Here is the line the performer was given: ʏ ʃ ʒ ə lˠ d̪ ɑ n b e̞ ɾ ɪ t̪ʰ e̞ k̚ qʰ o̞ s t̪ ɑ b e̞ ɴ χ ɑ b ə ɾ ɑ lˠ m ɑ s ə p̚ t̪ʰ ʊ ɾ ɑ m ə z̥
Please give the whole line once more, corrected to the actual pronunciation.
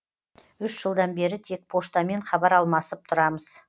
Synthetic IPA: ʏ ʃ ʒ ə lˠ d̪ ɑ n b e̞ ɾ ɪ t̪ʰ e̞ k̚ pʰ o̞ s t̪ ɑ m e̞ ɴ χ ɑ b ɑ ɾ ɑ lˠ m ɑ s ə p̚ t̪ʰ ʊ ɾ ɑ m ə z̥